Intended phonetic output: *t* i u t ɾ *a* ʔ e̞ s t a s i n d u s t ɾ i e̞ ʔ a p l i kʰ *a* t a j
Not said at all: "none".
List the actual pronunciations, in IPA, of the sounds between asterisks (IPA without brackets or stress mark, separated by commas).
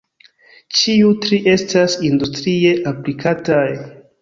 t͡ʃ, i, a